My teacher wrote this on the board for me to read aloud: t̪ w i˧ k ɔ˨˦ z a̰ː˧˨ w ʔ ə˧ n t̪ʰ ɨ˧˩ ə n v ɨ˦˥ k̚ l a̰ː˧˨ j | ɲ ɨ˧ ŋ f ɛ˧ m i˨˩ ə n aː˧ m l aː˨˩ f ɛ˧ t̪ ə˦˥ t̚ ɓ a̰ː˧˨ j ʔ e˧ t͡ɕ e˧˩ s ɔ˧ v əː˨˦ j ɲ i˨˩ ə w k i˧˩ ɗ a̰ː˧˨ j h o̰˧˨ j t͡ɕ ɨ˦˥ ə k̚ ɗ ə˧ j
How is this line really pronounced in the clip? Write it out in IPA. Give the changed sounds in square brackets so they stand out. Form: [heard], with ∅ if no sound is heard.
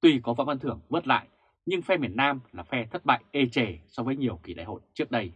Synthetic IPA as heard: t̪ w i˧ k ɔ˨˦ [v] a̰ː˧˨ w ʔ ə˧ n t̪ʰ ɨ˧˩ ə [ŋ] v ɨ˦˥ [t̚] l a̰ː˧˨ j | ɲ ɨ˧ ŋ f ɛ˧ m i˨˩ ə n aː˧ m l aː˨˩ f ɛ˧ [t̪ʰ] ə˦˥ t̚ ɓ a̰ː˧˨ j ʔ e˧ t͡ɕ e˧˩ s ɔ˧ v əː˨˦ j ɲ i˨˩ ə w k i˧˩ ɗ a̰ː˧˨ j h o̰˧˨ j t͡ɕ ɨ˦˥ ə k̚ ɗ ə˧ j